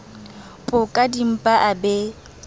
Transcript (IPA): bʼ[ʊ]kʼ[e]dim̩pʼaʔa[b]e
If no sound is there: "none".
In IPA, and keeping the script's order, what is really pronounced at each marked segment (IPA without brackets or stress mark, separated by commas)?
ʊ, a, b